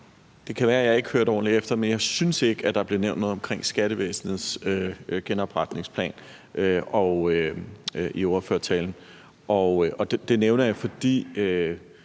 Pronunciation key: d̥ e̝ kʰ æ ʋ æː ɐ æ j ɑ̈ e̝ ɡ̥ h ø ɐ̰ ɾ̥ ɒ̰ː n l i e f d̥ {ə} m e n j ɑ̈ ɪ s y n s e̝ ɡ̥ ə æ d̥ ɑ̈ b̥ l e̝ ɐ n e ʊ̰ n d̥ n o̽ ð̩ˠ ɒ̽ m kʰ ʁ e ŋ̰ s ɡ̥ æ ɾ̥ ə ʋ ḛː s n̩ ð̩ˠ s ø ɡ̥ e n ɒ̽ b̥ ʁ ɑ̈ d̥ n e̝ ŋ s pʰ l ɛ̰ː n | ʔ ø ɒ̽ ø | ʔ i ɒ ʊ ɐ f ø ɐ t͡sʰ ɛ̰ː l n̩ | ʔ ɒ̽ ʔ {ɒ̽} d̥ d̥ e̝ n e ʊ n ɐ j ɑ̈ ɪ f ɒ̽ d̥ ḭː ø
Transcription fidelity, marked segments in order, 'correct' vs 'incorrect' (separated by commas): incorrect, correct